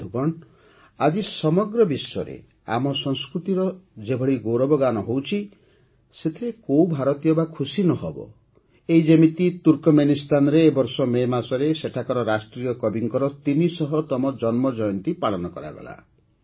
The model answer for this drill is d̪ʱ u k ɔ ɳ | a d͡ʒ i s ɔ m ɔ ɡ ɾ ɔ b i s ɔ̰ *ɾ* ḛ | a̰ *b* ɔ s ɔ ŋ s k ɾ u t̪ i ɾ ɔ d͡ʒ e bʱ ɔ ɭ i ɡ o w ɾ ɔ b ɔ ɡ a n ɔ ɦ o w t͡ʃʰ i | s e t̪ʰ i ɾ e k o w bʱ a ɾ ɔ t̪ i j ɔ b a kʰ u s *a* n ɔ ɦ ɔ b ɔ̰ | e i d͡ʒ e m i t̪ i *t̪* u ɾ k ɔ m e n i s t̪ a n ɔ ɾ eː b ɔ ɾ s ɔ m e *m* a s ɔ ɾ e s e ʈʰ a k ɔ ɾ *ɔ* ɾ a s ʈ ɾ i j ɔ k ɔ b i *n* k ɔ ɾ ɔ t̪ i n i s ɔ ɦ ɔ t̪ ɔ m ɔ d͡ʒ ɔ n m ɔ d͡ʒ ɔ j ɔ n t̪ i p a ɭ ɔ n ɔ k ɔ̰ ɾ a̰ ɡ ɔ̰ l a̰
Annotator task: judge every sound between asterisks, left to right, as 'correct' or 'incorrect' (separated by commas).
correct, incorrect, incorrect, correct, correct, correct, incorrect